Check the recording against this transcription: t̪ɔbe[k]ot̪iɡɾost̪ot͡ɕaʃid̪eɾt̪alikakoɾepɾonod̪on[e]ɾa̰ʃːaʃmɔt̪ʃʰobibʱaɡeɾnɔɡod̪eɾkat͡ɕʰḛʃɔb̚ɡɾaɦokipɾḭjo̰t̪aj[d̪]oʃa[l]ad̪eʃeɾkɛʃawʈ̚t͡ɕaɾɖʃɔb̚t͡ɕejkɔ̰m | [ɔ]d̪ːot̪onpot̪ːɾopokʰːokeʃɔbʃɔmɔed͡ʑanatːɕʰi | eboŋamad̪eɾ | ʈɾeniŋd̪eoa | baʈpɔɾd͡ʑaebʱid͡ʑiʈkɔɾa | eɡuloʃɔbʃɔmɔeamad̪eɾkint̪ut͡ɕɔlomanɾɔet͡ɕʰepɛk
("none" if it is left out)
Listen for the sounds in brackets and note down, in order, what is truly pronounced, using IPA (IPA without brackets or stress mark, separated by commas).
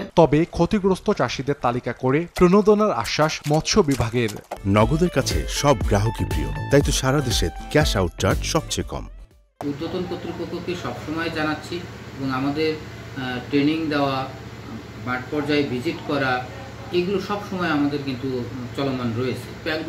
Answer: kʰ, a, t̪, ɾ, u